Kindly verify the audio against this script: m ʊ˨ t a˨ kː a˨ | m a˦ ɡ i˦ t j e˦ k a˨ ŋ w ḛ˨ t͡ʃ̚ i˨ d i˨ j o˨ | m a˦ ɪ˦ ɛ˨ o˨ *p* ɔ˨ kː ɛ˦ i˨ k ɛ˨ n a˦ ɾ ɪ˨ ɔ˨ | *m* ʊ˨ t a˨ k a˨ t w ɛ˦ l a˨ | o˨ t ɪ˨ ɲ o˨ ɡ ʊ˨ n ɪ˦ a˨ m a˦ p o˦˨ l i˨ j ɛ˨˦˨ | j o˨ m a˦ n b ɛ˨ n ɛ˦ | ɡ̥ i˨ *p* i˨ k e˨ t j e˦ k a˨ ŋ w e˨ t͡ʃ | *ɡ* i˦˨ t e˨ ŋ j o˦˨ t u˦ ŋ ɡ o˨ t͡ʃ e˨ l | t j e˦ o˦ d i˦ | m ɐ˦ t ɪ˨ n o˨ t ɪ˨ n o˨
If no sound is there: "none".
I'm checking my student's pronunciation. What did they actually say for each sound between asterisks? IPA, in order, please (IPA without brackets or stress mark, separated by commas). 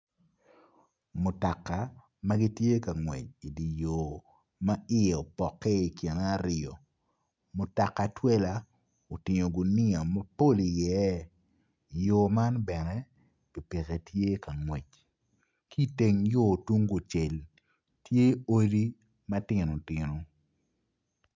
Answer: p, m, p, k